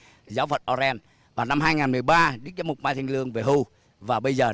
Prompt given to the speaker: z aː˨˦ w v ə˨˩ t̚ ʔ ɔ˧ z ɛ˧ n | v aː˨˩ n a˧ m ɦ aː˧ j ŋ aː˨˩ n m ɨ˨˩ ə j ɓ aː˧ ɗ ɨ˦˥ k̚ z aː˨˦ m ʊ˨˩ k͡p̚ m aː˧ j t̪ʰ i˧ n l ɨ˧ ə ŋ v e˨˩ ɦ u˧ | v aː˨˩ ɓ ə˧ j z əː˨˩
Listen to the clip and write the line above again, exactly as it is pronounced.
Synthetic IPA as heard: z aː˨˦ w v ə˨˩ t̚ ʔ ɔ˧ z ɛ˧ n | v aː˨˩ n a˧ m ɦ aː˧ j ŋ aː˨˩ n m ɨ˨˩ ə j ɓ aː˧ ɗ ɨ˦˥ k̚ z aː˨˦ m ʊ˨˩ k͡p̚ m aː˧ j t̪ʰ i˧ ŋ l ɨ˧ ə ŋ v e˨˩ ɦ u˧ | v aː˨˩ ɓ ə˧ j z əː˨˩